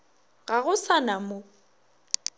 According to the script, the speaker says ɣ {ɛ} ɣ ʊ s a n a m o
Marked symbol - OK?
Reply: no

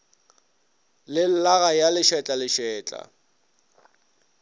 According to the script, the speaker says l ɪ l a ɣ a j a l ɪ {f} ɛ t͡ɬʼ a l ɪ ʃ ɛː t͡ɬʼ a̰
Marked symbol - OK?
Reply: no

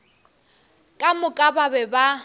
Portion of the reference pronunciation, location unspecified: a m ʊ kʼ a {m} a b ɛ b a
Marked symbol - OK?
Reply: no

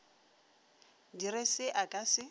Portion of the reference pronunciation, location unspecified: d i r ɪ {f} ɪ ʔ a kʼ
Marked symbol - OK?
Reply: no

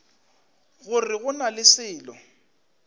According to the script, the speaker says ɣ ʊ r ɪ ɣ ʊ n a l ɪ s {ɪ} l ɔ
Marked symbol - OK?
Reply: no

